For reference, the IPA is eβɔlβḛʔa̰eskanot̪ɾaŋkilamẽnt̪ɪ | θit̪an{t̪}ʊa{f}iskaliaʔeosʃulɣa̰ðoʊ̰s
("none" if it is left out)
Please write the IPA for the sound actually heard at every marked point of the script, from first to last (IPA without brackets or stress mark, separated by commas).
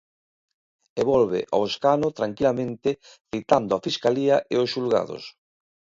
d̪, f